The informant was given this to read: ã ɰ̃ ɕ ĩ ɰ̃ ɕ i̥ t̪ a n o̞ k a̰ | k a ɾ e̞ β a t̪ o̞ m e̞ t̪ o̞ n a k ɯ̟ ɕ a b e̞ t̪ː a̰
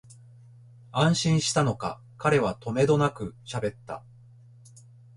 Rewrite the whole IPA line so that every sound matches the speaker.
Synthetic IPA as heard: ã ɰ̃ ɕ ĩ ɰ̃ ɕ i̥ t̪ a n o̞ k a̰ | k a ɾ e̞ β a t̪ o̞ m e̞ d̪ o̞ n a k ɯ̟ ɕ a b e̞ t̪ː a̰